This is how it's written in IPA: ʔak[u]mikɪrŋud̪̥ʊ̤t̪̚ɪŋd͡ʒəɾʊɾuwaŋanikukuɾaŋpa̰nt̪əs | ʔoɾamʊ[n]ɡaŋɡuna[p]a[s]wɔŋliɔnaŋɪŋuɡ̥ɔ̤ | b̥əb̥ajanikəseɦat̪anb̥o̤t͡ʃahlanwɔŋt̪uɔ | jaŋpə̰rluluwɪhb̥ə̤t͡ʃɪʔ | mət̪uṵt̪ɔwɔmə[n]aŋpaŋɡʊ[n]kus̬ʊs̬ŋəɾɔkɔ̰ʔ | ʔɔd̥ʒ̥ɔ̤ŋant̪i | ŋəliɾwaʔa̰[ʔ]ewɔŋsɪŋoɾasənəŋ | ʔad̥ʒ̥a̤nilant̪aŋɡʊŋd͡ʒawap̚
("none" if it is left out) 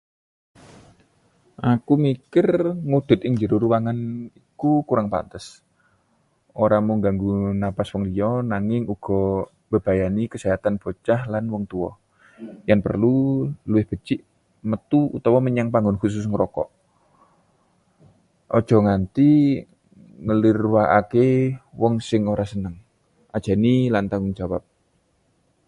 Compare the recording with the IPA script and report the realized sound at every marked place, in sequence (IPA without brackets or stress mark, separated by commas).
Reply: u, ŋ, p, s, ɲ, n, k